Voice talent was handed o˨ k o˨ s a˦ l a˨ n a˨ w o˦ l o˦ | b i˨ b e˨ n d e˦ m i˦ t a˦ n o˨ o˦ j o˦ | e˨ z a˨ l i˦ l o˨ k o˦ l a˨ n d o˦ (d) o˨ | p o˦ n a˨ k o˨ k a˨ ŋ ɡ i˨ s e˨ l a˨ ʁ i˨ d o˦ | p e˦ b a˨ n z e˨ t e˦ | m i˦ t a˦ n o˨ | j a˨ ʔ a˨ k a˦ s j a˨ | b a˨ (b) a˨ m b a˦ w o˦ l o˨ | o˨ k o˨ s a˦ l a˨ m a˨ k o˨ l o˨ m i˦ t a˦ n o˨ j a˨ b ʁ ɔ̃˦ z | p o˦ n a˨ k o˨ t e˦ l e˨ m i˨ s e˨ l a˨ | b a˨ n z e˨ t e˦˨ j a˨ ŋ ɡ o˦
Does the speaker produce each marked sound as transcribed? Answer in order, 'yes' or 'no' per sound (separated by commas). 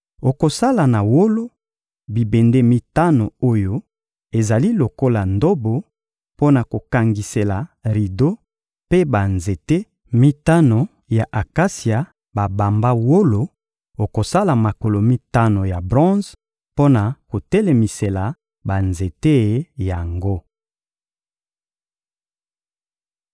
no, yes